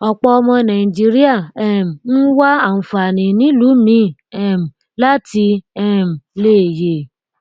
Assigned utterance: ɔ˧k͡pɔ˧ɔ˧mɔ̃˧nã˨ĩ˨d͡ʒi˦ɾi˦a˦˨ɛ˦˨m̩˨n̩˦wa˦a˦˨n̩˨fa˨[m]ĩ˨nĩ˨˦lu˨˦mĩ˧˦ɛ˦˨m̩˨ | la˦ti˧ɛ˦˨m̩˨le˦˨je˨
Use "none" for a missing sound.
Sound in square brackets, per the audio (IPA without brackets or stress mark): n